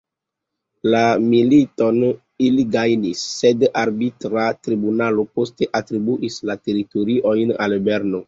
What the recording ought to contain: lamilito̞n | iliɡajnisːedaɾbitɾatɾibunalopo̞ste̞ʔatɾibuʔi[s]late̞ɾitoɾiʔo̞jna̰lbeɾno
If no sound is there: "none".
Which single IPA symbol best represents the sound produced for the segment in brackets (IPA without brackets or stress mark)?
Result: s